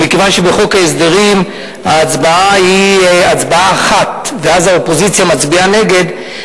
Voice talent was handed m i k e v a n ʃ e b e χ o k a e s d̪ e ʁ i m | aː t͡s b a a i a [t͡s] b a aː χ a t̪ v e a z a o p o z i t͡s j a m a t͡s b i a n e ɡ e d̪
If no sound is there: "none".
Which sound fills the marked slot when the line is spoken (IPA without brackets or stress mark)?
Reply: t͡s